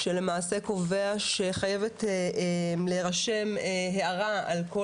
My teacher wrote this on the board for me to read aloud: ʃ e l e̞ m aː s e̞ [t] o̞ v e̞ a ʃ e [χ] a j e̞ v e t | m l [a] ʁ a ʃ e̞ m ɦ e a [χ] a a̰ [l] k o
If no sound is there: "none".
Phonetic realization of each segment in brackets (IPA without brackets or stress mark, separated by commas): k, χ, e, ʁ, l